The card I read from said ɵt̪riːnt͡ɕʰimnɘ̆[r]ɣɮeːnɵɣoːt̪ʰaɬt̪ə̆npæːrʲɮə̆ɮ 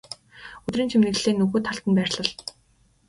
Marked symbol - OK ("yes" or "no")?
no